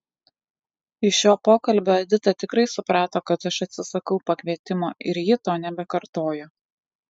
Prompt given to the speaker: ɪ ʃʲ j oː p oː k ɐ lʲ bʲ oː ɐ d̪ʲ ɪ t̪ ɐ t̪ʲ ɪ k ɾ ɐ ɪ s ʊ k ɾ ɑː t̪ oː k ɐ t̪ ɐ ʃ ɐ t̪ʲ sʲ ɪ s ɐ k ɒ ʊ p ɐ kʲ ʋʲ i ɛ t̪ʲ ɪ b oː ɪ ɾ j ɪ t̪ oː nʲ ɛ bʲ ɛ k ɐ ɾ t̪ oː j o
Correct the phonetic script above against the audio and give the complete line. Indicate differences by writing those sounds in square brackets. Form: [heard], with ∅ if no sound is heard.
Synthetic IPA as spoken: ɪ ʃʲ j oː p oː k ɐ lʲ bʲ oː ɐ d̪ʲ ɪ t̪ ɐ t̪ʲ ɪ k ɾ ɐ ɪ s ʊ [p] ɾ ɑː t̪ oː k ɐ t̪ ɐ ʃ ɐ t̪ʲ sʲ ɪ s ɐ k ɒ ʊ p ɐ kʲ ʋʲ i ɛ t̪ʲ ɪ [m] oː ɪ ɾ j ɪ t̪ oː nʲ ɛ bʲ ɛ k ɐ ɾ t̪ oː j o